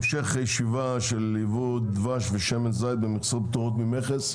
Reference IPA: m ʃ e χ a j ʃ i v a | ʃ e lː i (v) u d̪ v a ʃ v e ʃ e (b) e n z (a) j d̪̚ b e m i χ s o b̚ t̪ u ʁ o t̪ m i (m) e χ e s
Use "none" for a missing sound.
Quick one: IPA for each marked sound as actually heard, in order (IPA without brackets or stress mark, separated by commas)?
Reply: v, m, a, m